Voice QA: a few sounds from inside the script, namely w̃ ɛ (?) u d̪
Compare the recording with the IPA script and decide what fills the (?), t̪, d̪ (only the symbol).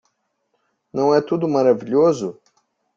t̪